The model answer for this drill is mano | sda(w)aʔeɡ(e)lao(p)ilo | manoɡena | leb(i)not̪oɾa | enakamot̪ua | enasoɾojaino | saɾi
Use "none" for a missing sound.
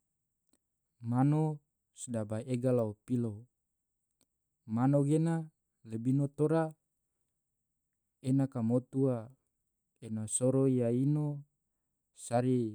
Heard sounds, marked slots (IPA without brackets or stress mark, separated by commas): b, a, p, i